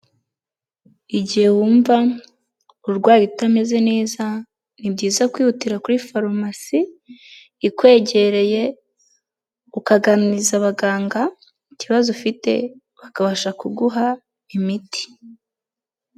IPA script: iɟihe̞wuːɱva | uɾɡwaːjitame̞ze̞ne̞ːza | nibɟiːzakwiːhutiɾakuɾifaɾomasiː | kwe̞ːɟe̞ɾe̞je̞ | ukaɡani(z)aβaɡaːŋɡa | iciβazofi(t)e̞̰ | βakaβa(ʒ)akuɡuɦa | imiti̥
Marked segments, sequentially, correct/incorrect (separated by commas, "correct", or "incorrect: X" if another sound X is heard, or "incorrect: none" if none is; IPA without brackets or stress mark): correct, correct, incorrect: ʃ